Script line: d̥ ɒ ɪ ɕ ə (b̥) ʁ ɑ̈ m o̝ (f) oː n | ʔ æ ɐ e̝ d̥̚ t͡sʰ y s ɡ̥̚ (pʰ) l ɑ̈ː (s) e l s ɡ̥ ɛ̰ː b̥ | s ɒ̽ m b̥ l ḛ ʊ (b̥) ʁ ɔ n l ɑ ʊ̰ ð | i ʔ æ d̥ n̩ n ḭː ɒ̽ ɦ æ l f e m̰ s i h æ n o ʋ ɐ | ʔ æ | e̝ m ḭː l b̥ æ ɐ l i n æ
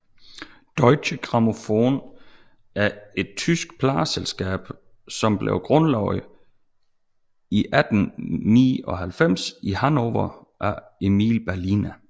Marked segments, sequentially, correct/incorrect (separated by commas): incorrect, correct, correct, correct, incorrect